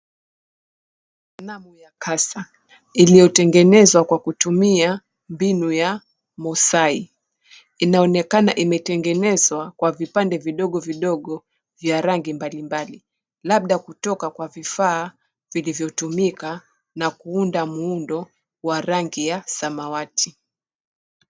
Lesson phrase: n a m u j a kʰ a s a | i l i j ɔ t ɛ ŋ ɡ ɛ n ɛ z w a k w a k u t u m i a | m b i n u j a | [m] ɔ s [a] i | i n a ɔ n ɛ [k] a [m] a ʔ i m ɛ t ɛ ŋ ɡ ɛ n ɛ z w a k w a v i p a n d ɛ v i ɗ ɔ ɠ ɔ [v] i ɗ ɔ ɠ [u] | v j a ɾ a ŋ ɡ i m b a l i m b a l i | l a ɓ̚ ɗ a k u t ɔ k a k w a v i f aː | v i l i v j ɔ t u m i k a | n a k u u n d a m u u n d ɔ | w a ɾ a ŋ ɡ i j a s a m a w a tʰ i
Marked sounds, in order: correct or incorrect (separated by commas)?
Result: correct, correct, correct, incorrect, correct, incorrect